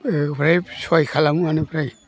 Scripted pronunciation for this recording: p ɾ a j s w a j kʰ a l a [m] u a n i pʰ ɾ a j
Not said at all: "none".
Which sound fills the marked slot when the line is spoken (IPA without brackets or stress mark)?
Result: m